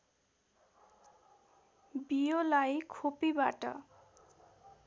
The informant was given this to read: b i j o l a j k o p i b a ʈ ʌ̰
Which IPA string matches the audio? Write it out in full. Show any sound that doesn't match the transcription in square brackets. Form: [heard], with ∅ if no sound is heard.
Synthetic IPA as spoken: b i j o l a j [kʰ] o p i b a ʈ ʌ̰